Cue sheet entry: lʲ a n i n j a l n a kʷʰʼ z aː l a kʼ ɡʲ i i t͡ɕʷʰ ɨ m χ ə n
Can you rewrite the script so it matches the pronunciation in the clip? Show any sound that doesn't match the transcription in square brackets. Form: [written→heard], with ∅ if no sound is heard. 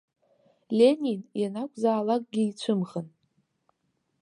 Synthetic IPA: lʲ [a→e] n i n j a [l→∅] n a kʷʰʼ z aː l a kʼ ɡʲ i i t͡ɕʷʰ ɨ m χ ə n

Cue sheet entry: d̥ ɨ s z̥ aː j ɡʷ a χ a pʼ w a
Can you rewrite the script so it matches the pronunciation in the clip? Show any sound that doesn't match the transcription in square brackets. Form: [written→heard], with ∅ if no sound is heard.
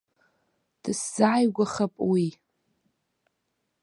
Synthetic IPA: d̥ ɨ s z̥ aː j ɡʷ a χ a pʼ w [a→i]

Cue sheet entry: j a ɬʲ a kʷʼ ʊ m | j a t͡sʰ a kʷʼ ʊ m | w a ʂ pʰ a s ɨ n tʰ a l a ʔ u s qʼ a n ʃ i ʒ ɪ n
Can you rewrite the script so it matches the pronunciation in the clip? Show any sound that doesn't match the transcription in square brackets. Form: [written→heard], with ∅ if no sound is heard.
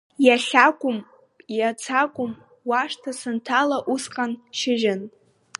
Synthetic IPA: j a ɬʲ a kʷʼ ʊ m | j a t͡sʰ a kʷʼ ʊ m | w a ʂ [pʰ→tʰ] a s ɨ n tʰ a l a ʔ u s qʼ a n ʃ [i→ɪ] ʒ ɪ n

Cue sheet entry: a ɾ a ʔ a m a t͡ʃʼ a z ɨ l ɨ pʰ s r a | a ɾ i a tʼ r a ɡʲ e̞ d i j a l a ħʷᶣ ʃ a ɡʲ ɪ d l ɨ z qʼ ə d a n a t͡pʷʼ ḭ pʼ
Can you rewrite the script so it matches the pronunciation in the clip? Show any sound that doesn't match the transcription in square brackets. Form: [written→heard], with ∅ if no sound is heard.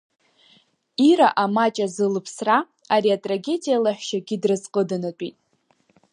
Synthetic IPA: [a→i] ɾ a ʔ a m a t͡ʃʼ a z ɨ l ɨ pʰ s r a | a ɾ i a tʼ r a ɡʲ e̞ d i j a l a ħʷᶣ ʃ a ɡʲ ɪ d [l→r] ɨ z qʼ ə d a n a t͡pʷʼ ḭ [pʼ→tʼ]

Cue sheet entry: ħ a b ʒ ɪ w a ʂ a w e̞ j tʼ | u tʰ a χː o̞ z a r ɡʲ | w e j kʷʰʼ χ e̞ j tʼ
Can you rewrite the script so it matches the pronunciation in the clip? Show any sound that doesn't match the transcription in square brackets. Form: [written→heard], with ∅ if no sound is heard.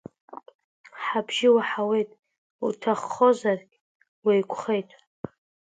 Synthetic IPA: ħ a b ʒ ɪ w a [ʂ→ħ] a w e̞ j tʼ | u tʰ a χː o̞ z a r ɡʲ | w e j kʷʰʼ χ e̞ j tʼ

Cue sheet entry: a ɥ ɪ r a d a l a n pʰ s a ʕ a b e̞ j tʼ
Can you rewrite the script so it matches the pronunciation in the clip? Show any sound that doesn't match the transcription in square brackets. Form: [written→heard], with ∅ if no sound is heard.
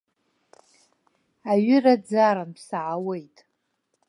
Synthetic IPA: a ɥ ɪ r a [d→d͡z] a [l→ɾ] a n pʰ s a ʕ a [b→w] e̞ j tʼ

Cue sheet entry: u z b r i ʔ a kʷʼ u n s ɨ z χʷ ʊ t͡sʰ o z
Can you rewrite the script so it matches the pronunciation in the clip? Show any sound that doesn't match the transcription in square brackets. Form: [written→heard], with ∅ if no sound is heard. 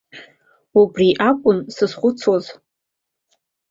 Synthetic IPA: u [z→∅] b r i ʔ a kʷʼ [u→ʊ] n s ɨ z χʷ ʊ t͡sʰ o z

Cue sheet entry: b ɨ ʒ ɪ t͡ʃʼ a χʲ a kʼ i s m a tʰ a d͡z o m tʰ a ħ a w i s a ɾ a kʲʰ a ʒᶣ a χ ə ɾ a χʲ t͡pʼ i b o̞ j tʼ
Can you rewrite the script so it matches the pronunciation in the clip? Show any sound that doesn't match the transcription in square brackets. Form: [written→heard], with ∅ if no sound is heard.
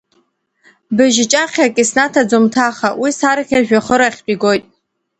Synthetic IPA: b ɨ ʒ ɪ t͡ʃʼ a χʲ a kʼ i s [m→n] a tʰ a d͡z o m tʰ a [ħ→χ] a w i s a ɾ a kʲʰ a ʒᶣ a χ ə ɾ a χʲ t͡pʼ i [b→ɡ] o̞ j tʼ

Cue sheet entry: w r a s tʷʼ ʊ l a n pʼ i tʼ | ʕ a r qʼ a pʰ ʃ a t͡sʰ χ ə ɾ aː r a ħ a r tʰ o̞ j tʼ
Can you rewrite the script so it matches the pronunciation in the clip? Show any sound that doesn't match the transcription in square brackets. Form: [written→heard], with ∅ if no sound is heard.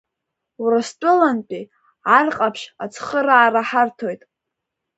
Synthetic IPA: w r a s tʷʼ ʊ l a n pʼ i [tʼ→∅] | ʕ a r qʼ a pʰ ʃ a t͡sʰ χ ə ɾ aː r a ħ a r tʰ o̞ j tʼ

